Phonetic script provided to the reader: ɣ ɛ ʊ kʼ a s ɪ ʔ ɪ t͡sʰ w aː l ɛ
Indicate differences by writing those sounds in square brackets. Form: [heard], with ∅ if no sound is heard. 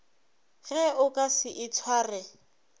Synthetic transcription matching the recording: ɣ ɛ ʊ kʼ a s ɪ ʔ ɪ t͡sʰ w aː [r] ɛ

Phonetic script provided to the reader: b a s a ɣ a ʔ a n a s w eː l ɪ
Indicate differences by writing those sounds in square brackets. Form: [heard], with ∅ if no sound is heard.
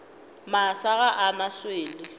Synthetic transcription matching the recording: [m] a s a ɣ a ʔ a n a s w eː l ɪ

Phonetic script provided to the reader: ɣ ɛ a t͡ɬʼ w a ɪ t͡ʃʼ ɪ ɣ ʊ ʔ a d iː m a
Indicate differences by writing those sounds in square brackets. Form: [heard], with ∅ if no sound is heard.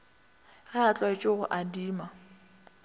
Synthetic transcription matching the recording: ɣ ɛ a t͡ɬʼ w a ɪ t͡ʃʼ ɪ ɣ ʊ ʔ a d iː m a

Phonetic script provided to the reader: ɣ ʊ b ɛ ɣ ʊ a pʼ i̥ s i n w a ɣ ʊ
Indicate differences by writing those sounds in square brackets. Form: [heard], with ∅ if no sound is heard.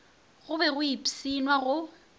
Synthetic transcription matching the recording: ɣ ʊ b ɛ ɣ ʊ [i] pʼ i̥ s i n w a ɣ ʊ

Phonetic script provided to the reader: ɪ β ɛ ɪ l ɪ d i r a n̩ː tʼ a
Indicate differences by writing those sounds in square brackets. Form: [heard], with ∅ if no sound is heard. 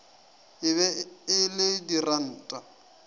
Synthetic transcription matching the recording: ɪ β ɛ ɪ l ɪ d i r a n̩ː tʼ a

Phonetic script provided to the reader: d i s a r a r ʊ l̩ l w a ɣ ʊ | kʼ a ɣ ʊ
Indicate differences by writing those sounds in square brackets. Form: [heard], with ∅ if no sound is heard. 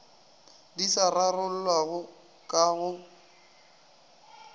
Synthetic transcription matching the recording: d i s a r a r ʊ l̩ l w a ɣ ʊ | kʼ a ɣ ʊ

